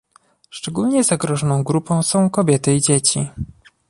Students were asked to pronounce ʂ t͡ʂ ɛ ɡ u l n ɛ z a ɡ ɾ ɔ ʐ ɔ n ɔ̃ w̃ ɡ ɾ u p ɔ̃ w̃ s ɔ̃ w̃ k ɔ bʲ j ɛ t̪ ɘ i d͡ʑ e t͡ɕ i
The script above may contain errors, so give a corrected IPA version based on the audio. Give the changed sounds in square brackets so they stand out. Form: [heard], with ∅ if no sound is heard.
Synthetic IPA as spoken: ʂ t͡ʂ ɛ ɡ u l [ɲ] ɛ z a ɡ ɾ ɔ ʐ ɔ n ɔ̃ w̃ ɡ ɾ u p ɔ̃ w̃ s ɔ̃ w̃ k ɔ bʲ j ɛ t̪ ɘ i d͡ʑ e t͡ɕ i